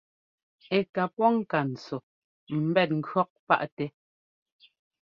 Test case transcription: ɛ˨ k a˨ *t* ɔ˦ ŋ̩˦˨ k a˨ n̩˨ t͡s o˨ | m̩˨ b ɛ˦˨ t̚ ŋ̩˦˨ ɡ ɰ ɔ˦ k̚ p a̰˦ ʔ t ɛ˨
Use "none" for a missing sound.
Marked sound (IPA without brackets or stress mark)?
p